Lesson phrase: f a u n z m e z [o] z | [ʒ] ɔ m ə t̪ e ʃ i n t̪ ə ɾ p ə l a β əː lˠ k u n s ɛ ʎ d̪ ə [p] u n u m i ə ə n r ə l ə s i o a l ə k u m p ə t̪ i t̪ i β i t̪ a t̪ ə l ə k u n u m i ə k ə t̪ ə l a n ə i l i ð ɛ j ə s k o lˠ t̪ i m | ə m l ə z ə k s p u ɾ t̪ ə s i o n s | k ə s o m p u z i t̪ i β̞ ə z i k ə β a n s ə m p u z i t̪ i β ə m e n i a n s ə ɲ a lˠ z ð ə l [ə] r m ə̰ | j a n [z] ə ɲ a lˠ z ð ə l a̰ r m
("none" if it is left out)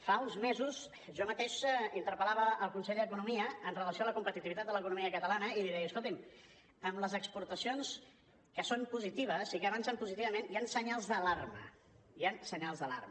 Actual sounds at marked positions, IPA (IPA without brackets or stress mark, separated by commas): u, ʒ, k, a, s